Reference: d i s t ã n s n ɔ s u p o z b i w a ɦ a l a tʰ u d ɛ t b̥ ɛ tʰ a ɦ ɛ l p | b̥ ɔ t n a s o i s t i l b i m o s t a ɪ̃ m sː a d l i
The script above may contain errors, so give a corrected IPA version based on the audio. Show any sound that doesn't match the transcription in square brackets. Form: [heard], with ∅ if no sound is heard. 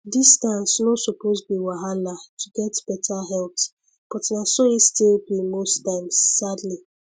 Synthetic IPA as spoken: d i s t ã n s n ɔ s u p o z b i w a ɦ a l a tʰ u [ɡ] ɛ t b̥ ɛ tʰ a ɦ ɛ l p | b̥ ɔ t n a s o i s t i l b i m o s t a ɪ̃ m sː a d l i